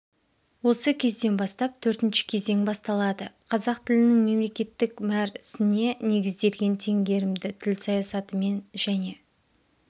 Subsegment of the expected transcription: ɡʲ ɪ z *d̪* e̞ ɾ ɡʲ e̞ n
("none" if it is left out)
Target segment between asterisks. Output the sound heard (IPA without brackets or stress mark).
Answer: d̪